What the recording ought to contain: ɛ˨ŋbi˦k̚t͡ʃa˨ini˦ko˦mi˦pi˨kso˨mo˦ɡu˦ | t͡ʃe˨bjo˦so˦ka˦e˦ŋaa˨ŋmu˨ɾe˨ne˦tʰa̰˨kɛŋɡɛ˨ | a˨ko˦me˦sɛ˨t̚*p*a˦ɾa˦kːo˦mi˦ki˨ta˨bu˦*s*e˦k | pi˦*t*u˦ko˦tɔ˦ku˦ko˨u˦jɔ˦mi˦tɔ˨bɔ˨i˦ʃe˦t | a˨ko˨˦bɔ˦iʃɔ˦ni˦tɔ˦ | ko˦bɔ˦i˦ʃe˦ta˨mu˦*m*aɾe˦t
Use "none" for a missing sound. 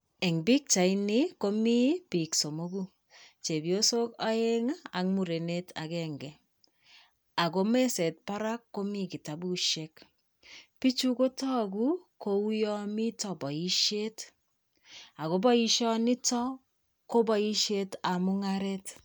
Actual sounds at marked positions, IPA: p, ʃ, t͡ʃ, ŋ

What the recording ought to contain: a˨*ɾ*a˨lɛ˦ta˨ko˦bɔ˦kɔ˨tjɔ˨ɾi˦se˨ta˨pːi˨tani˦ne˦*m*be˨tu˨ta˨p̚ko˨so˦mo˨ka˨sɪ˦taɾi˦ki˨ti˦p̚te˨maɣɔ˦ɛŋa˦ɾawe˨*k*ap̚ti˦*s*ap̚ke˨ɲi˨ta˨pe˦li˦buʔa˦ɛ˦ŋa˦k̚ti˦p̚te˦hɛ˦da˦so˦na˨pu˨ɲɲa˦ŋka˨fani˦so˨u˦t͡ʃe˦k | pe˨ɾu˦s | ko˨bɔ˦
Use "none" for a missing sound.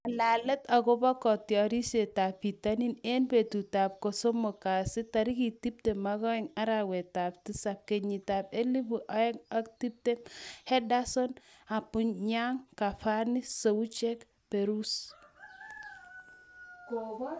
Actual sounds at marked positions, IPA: l, n, t, s

